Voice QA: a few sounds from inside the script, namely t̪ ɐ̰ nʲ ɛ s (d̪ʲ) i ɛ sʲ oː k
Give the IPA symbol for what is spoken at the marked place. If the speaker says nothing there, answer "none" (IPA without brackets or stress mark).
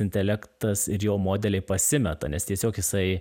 t̪ʲ